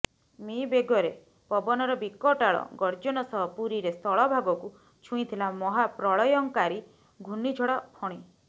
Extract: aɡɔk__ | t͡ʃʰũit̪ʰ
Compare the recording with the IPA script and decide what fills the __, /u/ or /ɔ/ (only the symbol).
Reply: u